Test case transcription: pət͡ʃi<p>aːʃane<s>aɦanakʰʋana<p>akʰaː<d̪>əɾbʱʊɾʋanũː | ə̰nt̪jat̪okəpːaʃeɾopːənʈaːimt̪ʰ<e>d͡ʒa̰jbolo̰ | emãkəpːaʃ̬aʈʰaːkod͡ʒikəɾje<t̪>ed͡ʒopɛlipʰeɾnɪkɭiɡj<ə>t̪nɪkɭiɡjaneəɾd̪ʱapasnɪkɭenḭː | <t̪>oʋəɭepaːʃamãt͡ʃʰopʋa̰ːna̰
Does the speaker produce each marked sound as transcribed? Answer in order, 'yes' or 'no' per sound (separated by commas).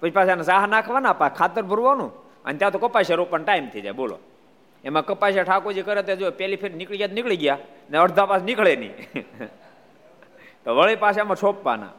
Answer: yes, yes, yes, no, no, yes, no, yes